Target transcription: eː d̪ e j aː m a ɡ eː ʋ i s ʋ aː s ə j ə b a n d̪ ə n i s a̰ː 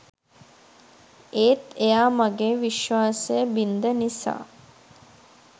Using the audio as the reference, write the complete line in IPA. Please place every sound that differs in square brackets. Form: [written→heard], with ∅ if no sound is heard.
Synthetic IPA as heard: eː [d̪→t̪] e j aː m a ɡ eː ʋ i [s→ʃ] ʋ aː s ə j ə b [a→i] n d̪ ə n i s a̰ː